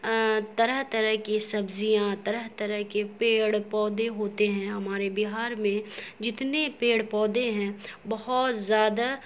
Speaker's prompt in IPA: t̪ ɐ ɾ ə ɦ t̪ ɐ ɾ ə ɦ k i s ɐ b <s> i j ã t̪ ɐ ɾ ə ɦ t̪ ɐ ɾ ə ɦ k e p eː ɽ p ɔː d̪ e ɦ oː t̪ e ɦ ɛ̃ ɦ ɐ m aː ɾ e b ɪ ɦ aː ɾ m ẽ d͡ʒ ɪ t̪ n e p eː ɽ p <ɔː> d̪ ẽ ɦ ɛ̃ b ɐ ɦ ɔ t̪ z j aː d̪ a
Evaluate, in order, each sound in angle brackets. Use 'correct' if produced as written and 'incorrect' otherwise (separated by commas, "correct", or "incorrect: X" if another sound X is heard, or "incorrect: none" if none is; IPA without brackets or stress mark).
incorrect: z, correct